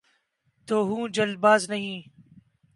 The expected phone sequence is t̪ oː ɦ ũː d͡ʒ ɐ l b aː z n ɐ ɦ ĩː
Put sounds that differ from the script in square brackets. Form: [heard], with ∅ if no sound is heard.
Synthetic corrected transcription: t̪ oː ɦ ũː d͡ʒ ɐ l b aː z n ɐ ɦ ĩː